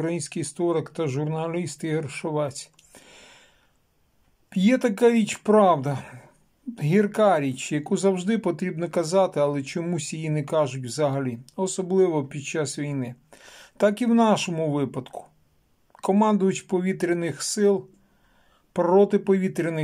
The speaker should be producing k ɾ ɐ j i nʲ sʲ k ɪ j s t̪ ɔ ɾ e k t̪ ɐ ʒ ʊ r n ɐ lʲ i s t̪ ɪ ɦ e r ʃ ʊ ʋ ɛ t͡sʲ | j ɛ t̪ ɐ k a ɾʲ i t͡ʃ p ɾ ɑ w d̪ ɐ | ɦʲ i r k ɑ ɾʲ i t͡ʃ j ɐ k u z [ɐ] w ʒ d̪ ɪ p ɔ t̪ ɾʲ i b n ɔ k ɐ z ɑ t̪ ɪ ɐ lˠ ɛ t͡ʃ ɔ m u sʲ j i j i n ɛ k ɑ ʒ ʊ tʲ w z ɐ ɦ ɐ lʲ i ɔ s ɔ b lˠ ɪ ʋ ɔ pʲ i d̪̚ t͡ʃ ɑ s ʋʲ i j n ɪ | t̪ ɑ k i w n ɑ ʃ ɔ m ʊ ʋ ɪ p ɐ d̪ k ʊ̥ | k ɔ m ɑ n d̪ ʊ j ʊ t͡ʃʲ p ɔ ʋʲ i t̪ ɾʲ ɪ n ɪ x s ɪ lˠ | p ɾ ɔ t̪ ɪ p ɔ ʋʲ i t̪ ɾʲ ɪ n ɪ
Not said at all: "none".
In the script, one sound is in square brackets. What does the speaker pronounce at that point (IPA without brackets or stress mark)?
ɐ